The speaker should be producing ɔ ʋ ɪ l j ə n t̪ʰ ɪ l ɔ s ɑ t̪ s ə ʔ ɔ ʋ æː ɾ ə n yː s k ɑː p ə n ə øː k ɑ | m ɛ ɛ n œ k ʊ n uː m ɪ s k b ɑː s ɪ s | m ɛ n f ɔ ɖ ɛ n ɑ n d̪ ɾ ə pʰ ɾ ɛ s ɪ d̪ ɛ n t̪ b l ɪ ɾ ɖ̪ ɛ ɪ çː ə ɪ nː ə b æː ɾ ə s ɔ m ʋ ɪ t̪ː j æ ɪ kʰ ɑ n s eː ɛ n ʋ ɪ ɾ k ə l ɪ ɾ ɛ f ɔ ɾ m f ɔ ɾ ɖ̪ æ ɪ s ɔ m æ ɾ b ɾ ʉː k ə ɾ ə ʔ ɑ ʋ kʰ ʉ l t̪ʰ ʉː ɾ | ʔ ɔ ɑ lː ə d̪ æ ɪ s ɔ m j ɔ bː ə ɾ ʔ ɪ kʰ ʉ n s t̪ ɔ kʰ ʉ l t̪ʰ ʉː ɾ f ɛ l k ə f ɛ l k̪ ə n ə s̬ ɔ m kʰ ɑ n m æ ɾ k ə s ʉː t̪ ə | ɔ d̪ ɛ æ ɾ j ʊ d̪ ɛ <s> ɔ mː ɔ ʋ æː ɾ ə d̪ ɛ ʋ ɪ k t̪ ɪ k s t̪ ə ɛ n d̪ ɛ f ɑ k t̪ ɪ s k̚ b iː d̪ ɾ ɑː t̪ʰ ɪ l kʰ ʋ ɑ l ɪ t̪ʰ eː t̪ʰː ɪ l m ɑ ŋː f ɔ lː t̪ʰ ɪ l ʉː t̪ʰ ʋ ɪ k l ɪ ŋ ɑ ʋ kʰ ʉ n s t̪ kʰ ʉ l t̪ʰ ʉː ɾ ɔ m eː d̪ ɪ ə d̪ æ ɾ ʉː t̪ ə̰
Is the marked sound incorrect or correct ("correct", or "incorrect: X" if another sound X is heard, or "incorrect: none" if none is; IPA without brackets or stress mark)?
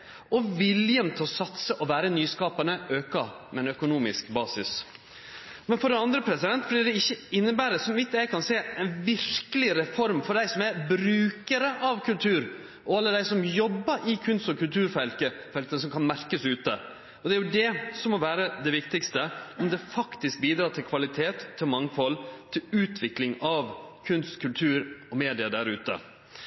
correct